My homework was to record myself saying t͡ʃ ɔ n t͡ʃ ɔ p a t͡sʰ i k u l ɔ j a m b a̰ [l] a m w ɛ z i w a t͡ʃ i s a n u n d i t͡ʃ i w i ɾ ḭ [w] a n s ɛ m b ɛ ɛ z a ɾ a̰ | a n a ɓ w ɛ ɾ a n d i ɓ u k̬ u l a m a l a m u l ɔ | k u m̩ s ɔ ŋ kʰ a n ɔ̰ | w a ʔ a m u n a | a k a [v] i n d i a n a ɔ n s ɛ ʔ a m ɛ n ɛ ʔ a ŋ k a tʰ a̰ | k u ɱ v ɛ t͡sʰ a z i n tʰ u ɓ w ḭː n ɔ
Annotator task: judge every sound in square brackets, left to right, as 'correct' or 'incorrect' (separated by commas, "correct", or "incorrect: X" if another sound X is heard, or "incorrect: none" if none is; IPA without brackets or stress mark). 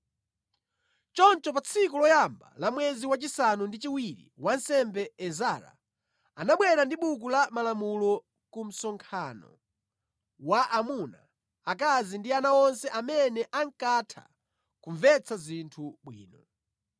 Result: correct, correct, incorrect: z